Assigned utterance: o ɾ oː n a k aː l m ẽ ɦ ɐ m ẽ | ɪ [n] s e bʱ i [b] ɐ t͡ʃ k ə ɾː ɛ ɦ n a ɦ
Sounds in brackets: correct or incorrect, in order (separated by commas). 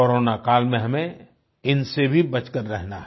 correct, correct